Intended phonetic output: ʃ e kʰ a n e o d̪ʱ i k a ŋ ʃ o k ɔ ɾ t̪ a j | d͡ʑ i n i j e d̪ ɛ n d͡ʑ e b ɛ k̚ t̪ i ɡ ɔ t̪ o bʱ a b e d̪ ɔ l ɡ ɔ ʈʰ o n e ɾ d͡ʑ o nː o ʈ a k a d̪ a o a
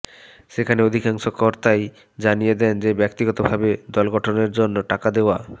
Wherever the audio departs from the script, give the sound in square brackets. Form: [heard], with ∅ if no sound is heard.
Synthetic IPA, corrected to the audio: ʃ e kʰ a n e o d̪ʱ i k a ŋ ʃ o k ɔ ɾ t̪ a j | d͡ʑ [a] n i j e d̪ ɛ n d͡ʑ e b ɛ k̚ t̪ i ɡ ɔ t̪ o bʱ a b e d̪ ɔ l ɡ ɔ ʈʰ o n e ɾ d͡ʑ o nː o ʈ a k a d̪ [e] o a